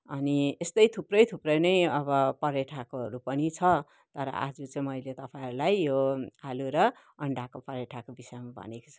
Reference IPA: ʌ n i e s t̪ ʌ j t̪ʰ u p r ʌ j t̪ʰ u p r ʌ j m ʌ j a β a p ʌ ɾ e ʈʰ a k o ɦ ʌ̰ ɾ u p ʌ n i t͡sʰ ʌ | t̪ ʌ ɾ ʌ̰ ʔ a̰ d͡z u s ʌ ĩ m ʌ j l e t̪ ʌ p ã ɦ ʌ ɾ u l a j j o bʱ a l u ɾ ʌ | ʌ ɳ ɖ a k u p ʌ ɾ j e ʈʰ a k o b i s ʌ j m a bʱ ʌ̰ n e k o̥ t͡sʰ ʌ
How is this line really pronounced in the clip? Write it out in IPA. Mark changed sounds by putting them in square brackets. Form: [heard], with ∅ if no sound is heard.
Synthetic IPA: ʌ n i e s t̪ ʌ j t̪ʰ u p r ʌ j t̪ʰ u p r ʌ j [n] ʌ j [ʌ] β [ʌ] p ʌ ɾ e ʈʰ a k o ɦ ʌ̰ ɾ u p ʌ n i t͡sʰ ʌ | t̪ ʌ ɾ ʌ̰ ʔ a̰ d͡z u [t͡s] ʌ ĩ m ʌ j l e t̪ ʌ p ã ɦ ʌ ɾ u l a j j o [∅] a l u ɾ ʌ | ʌ ɳ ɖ a k [o] p ʌ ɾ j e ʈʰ a k o b i s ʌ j m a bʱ ʌ̰ n e k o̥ t͡sʰ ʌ